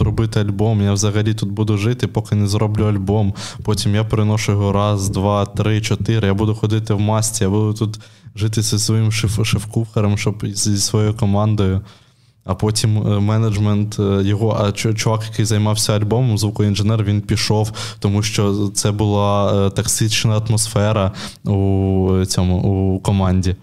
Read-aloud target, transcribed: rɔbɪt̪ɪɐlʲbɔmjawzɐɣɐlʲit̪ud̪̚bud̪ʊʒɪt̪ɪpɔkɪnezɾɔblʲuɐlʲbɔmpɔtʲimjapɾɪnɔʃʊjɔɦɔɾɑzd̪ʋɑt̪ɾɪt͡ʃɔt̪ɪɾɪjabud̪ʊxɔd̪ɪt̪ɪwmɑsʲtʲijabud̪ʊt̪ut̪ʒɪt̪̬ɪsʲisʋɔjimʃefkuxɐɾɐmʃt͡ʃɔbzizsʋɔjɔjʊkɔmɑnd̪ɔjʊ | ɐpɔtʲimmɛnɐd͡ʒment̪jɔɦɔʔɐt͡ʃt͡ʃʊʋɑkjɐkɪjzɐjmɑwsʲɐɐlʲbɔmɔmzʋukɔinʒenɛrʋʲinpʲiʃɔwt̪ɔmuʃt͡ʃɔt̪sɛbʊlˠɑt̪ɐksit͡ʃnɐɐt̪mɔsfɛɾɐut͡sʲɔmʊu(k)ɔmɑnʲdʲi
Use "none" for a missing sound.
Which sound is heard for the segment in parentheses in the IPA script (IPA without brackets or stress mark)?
k